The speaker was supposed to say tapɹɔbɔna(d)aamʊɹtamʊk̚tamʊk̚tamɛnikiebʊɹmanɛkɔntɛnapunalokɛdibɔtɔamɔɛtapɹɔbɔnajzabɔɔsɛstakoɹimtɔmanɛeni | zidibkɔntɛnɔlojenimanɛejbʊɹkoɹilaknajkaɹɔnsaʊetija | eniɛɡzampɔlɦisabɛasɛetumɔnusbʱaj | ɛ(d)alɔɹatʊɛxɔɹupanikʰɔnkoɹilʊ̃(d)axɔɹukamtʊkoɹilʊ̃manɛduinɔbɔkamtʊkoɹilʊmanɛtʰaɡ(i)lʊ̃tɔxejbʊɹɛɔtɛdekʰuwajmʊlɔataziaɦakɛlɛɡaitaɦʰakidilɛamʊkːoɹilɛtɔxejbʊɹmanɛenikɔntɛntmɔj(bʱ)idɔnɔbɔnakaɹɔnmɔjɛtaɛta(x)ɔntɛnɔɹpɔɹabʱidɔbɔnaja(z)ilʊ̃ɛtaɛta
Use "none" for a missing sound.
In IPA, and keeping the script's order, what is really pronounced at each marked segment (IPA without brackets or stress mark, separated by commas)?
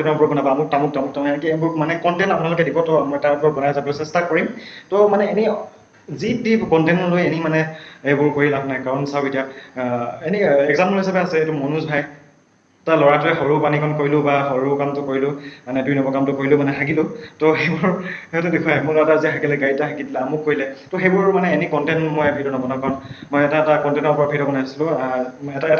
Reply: b, t, b, i, bʱ, k, s